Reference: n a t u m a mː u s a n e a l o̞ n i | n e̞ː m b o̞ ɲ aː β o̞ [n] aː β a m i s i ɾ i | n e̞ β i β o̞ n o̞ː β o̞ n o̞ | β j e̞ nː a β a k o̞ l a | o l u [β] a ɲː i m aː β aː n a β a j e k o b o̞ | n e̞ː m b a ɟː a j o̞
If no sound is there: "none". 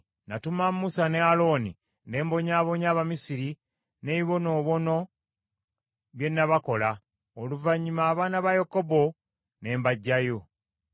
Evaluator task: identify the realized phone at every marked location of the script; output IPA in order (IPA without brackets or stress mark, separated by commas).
ɲ, v